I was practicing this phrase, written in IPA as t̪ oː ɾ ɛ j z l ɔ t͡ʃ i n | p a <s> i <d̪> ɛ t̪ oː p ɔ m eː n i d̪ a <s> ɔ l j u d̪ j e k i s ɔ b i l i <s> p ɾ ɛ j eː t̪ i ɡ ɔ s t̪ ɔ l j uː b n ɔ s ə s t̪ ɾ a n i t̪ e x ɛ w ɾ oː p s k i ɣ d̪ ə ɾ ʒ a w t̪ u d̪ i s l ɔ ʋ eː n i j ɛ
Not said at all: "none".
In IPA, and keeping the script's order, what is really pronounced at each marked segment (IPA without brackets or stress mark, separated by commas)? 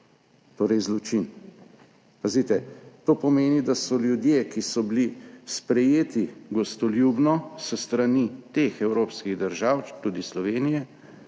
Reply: z, t̪, s, s